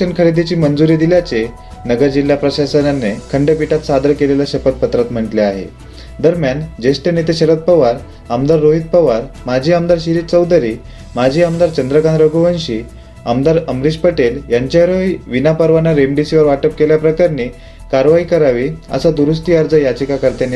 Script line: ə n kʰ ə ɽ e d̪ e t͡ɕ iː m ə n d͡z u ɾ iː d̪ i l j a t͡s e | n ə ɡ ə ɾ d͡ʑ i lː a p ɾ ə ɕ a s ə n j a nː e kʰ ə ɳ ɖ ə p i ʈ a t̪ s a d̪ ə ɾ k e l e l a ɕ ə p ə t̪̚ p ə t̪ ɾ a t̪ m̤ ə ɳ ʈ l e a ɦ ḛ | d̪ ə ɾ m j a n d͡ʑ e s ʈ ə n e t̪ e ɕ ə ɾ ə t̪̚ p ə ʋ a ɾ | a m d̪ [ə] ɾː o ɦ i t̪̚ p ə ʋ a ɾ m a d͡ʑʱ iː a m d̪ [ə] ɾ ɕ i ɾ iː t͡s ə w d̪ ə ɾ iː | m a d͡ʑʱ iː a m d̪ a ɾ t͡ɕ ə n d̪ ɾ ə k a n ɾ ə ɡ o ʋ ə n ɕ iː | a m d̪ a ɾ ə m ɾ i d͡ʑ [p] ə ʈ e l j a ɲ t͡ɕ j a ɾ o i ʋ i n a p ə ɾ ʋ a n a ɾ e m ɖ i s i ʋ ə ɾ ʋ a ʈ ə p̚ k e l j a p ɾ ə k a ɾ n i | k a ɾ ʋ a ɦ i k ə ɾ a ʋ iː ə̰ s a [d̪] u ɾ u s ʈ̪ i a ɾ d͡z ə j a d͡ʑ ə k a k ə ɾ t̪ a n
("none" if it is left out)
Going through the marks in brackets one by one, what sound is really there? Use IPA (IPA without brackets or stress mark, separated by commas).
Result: a, a, p, d̪